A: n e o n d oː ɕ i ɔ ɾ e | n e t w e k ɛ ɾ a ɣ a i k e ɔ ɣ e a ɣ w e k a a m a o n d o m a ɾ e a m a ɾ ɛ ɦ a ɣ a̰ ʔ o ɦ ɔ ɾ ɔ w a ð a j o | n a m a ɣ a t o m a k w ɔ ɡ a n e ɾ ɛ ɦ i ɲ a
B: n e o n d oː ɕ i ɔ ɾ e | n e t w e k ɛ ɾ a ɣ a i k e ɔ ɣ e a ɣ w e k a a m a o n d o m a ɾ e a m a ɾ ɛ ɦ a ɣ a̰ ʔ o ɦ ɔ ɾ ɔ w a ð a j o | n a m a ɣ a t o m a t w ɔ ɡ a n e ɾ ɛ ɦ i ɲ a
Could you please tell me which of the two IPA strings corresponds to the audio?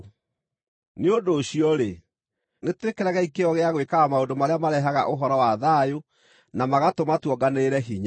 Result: B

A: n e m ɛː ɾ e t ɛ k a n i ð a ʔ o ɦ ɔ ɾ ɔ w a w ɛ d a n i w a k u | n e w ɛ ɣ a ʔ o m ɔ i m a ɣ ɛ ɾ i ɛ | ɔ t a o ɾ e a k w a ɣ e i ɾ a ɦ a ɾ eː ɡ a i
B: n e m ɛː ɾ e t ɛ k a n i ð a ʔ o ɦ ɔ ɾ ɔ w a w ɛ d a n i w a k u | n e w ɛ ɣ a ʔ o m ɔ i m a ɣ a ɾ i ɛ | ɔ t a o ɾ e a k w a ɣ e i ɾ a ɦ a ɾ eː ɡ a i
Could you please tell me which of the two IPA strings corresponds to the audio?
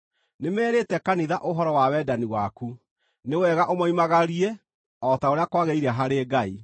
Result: B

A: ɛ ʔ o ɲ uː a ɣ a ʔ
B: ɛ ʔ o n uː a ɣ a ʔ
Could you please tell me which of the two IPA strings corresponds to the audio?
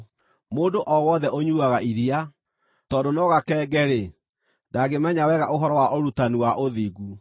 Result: A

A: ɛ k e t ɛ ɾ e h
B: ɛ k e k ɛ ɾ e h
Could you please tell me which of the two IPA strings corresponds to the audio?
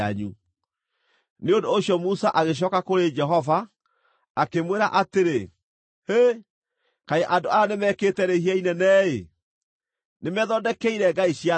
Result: A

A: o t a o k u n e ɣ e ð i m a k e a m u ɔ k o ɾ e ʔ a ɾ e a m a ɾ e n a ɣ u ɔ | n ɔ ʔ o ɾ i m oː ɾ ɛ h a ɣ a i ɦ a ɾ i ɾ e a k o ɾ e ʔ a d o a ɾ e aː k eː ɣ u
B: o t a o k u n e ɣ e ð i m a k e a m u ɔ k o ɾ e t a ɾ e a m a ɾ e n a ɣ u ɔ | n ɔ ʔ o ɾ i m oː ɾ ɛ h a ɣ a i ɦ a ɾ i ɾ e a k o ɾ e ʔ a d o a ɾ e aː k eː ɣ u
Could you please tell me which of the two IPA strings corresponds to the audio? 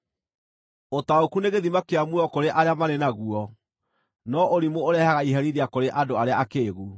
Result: A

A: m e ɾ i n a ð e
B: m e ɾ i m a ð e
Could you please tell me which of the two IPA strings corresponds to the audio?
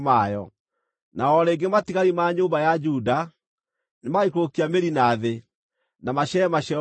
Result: A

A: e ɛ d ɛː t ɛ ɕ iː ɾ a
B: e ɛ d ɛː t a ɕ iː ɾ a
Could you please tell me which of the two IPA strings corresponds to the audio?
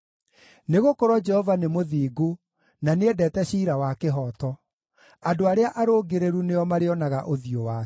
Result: A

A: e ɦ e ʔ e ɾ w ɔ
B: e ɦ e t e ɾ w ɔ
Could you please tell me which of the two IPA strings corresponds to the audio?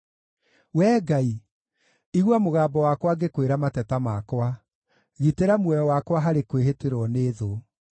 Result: B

